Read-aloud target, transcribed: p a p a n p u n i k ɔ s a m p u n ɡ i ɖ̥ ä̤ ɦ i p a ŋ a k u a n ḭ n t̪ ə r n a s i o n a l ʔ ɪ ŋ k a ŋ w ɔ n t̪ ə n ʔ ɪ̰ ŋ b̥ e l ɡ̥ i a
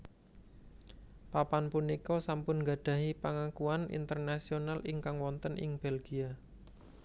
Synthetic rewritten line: p a p a n p u n i k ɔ s a m p ʊ n ɡ a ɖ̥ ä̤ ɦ i p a ŋ a k u a n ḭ n t̪ ə r n a s i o n a l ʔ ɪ ŋ k a ŋ w ɔ n t̪ ə n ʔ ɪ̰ ŋ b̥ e l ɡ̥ i a